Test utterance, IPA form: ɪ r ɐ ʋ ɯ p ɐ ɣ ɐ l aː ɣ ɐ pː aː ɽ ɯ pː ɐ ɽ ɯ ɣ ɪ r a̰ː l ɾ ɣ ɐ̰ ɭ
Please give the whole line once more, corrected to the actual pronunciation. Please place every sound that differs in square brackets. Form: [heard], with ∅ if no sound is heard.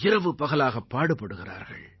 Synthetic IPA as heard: ɪ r ɐ ʋ ɯ p ɐ ɣ ɐ l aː ɣ ɐ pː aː ɽ ɯ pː ɐ ɽ ɯ ɣ ɪ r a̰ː [∅] ɾ ɣ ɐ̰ ɭ